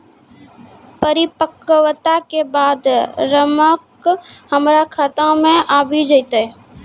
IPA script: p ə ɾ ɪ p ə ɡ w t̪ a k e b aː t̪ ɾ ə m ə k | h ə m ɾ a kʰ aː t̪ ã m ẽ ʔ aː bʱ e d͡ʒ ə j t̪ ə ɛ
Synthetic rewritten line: p ə ɾ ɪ p ə k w t̪ a k e b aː d̪ ɾ ə m ə k | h ə m ɾ a kʰ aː t̪ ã m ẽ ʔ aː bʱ i d͡ʒ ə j t̪ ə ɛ